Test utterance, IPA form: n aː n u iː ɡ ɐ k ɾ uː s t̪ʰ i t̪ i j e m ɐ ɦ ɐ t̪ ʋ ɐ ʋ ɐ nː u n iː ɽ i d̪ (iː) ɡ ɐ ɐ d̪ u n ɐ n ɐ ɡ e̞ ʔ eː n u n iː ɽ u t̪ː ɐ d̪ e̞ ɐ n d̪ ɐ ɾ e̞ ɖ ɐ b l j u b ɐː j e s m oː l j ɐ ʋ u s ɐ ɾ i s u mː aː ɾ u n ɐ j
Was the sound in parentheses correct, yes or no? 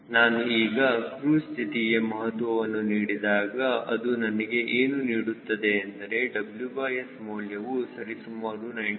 no